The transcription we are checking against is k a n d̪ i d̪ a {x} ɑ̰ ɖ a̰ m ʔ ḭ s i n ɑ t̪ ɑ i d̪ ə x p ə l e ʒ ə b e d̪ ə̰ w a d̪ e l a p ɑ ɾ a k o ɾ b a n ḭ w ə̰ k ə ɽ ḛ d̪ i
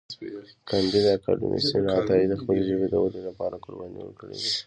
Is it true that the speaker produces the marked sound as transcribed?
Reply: no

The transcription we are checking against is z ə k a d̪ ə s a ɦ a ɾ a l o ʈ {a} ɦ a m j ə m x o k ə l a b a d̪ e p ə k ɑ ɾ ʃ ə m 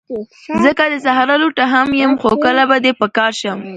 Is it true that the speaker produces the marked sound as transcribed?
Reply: yes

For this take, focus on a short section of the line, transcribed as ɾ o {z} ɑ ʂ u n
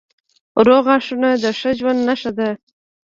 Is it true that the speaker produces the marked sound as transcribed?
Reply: no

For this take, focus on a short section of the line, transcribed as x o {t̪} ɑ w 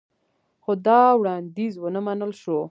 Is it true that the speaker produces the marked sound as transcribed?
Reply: no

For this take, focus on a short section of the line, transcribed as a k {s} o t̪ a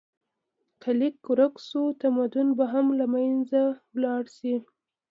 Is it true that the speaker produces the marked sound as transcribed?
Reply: yes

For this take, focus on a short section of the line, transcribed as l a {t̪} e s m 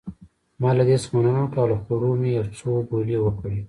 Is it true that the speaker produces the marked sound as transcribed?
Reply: no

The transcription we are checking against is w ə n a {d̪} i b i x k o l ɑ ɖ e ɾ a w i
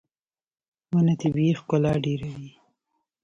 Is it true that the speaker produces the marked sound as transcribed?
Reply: no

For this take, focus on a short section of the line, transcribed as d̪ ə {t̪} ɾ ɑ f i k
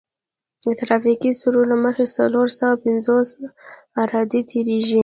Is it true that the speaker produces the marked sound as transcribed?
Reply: yes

